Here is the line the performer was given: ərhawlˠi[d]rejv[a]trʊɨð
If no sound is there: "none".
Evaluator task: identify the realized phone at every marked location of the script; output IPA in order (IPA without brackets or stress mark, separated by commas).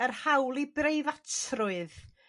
b, a